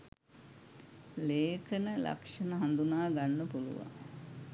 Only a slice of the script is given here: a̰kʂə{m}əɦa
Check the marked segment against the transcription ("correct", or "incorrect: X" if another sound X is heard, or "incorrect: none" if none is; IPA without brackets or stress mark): incorrect: n